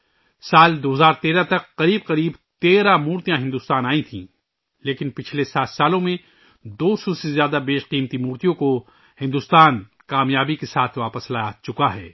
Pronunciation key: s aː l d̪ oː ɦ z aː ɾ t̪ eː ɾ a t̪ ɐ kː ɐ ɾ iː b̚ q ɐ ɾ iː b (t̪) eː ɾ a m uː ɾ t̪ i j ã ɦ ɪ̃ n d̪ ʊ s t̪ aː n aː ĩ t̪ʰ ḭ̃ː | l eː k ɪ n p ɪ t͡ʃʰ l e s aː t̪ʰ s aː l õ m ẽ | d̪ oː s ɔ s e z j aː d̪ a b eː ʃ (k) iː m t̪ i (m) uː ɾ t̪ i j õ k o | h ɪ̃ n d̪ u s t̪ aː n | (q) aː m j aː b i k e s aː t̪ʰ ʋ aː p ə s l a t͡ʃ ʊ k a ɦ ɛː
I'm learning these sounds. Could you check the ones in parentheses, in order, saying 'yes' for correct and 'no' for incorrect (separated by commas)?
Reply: yes, no, yes, no